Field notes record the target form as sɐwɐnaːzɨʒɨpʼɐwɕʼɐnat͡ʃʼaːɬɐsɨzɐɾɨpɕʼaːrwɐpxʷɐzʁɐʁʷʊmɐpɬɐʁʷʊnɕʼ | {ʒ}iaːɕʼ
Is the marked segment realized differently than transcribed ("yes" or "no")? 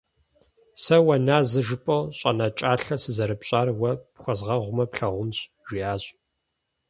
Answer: no